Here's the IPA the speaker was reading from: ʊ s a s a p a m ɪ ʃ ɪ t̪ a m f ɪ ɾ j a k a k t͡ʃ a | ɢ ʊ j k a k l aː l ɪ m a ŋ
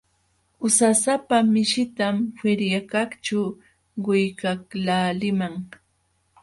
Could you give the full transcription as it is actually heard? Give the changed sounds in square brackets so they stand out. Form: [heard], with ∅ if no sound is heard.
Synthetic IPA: ʊ s a s a p a m ɪ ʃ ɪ t̪ a m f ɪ ɾ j a k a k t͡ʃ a | ɢ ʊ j k a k l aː l ɪ m a ŋ